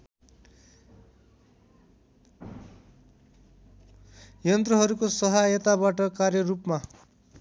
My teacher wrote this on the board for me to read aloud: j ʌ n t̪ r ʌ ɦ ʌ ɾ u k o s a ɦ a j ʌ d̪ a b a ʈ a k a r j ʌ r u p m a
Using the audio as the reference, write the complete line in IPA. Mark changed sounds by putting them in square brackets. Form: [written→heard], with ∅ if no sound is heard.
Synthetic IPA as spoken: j ʌ n t̪ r ʌ ɦ ʌ ɾ u k o s [a→ʌ] ɦ a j ʌ [d̪→t̪] a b a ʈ [a→ʌ] k a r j ʌ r u p m a